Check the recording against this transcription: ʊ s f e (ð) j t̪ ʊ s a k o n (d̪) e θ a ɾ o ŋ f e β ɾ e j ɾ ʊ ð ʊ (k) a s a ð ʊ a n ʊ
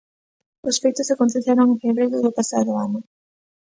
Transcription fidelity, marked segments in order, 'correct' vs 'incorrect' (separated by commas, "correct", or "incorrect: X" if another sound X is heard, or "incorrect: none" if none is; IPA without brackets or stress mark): incorrect: none, incorrect: t̪, incorrect: p